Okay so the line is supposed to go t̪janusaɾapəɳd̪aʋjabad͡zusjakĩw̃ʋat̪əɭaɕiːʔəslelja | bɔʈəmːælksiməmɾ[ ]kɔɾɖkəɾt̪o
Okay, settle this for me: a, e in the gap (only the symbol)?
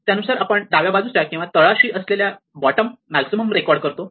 e